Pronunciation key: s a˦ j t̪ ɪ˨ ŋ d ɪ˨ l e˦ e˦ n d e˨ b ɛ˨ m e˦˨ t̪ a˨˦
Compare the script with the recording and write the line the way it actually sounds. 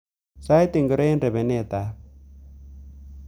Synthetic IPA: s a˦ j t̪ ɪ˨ ŋ ɡ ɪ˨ ɾ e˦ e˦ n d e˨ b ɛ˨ n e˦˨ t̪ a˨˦